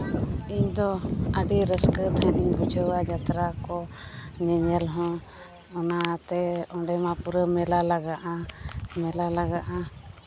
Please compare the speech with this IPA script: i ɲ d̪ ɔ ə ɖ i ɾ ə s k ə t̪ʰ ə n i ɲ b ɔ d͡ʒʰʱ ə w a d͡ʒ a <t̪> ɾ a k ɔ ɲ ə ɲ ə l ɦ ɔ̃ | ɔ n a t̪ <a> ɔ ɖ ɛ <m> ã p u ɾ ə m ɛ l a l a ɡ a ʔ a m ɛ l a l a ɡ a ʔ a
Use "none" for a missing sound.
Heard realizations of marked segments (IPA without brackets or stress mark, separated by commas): t̪, ɛ, m